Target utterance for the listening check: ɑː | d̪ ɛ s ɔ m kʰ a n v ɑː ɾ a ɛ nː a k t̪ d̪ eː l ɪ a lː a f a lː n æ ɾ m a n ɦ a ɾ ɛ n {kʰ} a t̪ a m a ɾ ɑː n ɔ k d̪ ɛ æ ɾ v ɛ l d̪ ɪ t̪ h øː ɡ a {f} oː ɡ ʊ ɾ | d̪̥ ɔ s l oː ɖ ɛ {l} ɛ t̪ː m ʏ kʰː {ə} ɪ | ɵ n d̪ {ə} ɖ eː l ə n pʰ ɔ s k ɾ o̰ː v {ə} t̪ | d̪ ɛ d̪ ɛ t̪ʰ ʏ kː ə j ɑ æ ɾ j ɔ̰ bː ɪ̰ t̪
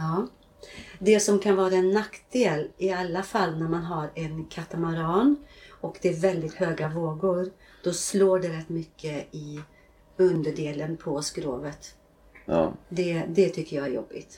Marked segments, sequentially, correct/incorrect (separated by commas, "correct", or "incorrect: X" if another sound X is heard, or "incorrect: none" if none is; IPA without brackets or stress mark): correct, incorrect: v, incorrect: ɾ, correct, correct, correct